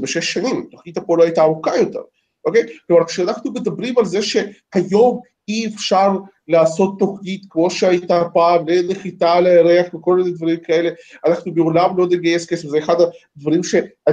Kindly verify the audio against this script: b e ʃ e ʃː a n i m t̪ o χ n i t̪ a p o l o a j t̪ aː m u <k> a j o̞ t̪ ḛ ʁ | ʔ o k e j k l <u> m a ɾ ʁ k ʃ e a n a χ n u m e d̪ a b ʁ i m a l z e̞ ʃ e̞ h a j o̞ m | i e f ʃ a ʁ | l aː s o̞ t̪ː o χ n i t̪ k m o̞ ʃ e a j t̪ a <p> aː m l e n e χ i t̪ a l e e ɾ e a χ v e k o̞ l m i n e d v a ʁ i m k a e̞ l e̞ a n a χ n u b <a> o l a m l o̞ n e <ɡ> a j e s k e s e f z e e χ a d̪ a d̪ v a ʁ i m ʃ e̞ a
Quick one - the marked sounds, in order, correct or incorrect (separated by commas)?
correct, incorrect, correct, incorrect, correct